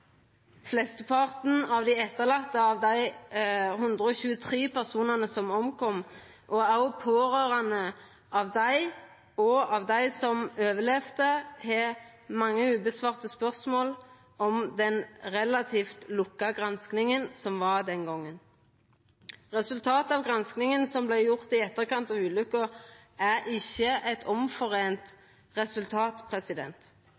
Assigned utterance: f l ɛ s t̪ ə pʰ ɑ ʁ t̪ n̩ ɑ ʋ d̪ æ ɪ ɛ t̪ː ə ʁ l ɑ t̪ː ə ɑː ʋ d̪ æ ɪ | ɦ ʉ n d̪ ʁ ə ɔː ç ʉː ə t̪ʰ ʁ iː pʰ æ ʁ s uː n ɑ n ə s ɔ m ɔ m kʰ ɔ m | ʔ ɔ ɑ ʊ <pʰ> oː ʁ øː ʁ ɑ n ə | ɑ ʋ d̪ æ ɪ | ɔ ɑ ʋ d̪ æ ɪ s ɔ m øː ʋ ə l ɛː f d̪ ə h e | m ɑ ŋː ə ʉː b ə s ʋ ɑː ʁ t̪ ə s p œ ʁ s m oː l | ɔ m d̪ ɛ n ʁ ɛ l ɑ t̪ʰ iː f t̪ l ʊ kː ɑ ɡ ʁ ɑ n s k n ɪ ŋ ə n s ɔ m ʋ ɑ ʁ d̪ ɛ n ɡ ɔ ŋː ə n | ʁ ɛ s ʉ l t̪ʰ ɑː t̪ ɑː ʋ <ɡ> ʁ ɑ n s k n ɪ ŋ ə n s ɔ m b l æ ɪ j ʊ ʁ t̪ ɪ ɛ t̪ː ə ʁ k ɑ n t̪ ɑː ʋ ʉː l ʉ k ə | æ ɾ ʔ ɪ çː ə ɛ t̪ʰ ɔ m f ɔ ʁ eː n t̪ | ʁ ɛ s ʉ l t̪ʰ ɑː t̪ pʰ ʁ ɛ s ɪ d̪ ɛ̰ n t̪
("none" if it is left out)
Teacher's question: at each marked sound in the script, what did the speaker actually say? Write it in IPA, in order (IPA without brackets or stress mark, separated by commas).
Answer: pʰ, ɡ